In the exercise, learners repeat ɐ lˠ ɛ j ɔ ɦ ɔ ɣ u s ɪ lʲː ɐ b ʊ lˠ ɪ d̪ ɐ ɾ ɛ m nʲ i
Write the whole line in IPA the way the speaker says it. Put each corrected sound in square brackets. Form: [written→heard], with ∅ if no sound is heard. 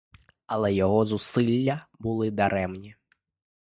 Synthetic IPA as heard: ɐ lˠ ɛ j ɔ ɦ ɔ [ɣ→z] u s ɪ lʲː ɐ b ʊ lˠ ɪ d̪ ɐ ɾ ɛ m nʲ i